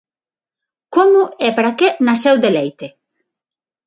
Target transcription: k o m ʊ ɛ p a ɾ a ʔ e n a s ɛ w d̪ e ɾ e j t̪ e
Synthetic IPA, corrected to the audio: k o m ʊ ɛ p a ɾ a k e n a s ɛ w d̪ e l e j t̪ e